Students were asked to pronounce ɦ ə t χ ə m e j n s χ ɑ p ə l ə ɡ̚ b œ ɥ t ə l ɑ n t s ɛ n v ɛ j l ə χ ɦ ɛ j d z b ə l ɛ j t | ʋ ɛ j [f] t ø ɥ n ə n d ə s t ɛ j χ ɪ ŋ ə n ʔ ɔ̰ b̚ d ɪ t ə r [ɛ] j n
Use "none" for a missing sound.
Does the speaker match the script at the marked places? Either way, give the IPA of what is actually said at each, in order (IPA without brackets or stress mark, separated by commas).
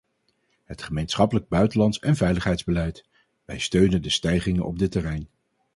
s, ɛ